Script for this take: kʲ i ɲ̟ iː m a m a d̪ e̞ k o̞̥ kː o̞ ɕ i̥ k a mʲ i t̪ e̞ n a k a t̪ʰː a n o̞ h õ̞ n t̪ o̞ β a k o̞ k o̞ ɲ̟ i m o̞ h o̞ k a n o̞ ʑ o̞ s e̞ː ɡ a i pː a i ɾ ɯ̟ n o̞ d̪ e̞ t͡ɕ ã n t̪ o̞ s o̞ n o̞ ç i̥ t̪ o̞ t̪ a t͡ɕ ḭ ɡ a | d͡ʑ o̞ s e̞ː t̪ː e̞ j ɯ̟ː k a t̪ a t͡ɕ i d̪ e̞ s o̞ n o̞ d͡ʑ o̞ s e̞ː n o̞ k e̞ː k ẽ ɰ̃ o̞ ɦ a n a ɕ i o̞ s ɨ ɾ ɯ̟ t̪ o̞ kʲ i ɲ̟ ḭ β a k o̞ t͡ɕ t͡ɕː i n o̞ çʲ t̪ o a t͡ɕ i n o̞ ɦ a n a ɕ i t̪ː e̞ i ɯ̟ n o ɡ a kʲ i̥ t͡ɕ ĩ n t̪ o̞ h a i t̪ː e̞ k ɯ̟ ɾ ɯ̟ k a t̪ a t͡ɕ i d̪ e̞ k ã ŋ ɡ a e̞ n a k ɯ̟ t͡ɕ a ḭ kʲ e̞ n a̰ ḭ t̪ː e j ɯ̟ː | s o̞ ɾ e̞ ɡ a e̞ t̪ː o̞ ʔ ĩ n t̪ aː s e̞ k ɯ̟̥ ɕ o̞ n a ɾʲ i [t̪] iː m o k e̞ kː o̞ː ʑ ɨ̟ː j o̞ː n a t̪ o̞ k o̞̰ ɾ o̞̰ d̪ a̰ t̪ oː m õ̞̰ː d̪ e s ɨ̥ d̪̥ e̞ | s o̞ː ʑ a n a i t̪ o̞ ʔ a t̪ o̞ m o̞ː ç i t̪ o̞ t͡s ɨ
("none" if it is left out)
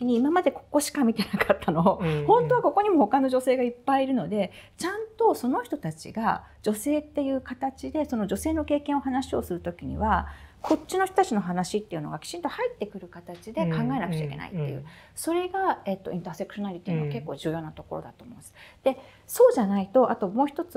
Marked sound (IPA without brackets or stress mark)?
t̪